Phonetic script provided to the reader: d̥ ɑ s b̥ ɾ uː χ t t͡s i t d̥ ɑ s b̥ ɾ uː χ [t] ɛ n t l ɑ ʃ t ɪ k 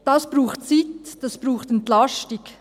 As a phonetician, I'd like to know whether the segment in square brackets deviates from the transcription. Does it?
no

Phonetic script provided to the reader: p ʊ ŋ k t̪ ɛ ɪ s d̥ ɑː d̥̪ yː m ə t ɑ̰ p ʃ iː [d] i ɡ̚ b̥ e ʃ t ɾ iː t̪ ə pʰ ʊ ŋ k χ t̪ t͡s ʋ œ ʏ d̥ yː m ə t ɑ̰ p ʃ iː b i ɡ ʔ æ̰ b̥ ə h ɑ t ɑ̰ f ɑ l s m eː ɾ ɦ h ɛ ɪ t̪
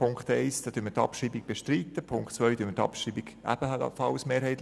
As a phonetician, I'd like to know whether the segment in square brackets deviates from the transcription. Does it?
yes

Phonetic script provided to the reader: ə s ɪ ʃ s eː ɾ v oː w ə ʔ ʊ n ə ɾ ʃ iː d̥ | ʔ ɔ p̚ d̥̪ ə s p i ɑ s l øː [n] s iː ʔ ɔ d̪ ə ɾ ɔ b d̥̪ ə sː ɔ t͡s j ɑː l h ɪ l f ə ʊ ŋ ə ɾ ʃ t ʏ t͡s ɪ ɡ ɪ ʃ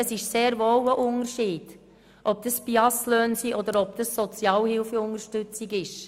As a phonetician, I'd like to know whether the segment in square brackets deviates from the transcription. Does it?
no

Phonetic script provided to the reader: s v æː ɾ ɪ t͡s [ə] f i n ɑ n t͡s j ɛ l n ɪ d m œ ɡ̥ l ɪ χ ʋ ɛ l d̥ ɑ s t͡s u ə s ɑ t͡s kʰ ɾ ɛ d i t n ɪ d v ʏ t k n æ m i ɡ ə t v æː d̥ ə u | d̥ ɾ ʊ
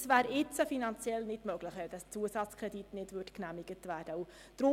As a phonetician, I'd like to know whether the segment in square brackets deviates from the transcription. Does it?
no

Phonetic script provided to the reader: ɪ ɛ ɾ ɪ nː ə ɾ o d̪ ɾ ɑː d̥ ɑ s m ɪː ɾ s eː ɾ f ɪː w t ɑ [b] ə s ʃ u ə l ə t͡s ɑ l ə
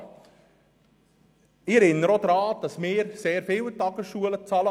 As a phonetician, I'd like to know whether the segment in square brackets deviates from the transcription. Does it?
yes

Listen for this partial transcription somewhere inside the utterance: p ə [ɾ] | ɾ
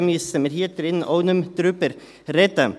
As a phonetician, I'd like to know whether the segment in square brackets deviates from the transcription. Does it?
no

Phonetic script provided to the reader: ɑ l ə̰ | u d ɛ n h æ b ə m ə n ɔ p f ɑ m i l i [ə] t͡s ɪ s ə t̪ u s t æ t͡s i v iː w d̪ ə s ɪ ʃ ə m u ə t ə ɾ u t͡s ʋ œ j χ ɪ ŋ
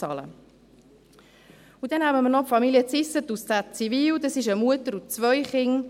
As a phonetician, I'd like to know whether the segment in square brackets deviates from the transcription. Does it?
no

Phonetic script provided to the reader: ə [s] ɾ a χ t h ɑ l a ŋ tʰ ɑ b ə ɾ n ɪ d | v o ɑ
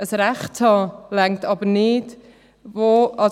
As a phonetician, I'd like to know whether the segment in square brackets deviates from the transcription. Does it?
no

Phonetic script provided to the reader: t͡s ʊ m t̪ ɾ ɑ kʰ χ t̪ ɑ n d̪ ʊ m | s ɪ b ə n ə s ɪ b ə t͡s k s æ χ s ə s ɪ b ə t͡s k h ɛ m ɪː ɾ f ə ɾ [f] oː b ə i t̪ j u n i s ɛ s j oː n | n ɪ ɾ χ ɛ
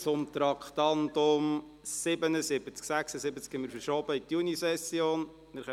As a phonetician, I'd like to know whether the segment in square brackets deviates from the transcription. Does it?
yes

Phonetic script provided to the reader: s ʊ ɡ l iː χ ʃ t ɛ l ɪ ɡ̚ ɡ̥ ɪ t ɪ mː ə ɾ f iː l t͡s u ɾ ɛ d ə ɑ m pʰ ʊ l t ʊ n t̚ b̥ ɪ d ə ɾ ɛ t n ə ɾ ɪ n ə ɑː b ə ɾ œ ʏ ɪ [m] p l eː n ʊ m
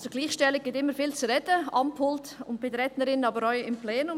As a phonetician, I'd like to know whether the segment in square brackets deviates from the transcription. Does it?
no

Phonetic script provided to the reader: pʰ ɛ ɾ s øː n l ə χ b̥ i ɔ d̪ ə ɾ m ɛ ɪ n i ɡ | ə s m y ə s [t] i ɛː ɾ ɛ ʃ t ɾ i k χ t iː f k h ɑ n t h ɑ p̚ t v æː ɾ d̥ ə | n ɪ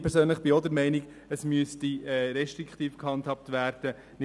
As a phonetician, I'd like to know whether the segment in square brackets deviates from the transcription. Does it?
no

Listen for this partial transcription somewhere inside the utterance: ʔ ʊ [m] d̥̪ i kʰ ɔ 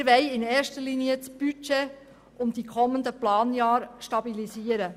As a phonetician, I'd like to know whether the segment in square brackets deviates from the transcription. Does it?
no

